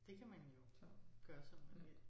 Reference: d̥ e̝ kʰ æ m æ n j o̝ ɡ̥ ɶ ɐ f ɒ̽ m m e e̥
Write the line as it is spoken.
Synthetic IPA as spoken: d̥ e̝ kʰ æ m æ n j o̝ ɡ̥ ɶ ɐ s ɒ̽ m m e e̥